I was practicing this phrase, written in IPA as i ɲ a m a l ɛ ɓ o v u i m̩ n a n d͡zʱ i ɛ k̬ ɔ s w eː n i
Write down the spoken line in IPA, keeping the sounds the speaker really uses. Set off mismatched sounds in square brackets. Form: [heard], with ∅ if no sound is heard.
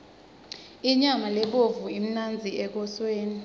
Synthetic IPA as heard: i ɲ a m a l ɛ ɓ o v u i m̩ n a n d͡zʱ i ɛ k̬ ɔ s w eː n i